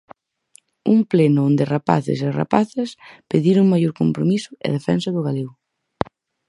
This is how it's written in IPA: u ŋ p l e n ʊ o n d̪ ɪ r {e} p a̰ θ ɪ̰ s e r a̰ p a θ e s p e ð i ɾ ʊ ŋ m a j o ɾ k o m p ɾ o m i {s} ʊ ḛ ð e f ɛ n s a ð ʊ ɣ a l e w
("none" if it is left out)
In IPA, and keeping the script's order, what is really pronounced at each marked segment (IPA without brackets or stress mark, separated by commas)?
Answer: a, s